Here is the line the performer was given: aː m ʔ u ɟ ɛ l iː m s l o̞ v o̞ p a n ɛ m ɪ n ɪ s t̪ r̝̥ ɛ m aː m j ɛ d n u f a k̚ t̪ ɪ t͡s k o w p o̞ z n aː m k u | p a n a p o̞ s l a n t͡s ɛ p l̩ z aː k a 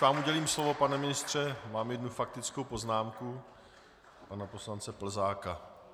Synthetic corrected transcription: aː m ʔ u ɟ ɛ l iː m s l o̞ v o̞ p a n ɛ m ɪ n ɪ s t̪ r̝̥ ɛ m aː m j ɛ d n u f a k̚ t̪ ɪ t͡s k o w p o̞ z n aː m k u | p a n a p o̞ s l a n t͡s ɛ p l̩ z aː k a

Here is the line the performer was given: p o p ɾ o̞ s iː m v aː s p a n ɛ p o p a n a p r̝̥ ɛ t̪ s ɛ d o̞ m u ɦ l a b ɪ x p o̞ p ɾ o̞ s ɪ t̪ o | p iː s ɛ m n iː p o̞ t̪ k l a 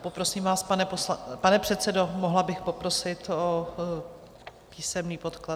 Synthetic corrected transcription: p o p ɾ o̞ s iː m v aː s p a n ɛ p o p a n ɛ p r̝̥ ɛ t̪ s ɛ d o̞ m o ɦ l a b ɪ x p o̞ p ɾ o̞ s ɪ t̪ o | p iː s ɛ m n iː p o̞ t̪ k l a

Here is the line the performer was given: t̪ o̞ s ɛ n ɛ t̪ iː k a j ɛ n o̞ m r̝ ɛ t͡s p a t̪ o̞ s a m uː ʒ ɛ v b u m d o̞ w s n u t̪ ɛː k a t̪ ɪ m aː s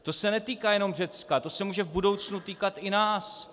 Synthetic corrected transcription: t̪ o̞ s ɛ n ɛ t̪ iː k a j ɛ n o̞ m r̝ ɛ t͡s k a t̪ o̞ s ɛ m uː ʒ ɛ v b u d o̞ w t͡s n u t̪ iː k a t̪ ɪ n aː s

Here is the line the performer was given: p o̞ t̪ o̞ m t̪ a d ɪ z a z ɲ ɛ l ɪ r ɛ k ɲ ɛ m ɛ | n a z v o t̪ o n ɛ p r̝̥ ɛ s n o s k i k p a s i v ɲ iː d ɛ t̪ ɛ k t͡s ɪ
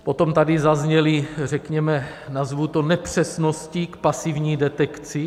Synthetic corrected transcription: p o̞ t̪ o̞ m t̪ a d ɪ z a z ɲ ɛ l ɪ r ɛ k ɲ ɛ m ɛ | n a z v u t̪ o n ɛ p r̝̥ ɛ s n o s c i k p a s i v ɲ iː d ɛ t̪ ɛ k t͡s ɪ

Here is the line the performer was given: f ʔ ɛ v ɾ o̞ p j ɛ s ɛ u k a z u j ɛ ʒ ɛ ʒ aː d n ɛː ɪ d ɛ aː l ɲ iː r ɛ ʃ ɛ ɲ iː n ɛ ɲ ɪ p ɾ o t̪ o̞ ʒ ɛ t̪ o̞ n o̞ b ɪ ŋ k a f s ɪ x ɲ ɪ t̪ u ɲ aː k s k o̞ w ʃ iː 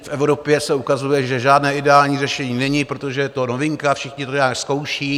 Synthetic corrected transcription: f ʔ ɛ v ɾ o̞ p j ɛ s ɛ u k a z u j ɛ ʒ ɛ ʒ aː d n ɛː ɪ d ɛ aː l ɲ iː r ɛ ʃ ɛ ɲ iː n ɛ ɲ ɪ p ɾ o t̪ o̞ ʒ ɛ t̪ o̞ n o̞ v ɪ ŋ k a f ʃ ɪ x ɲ ɪ t̪ o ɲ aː k s k o̞ w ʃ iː

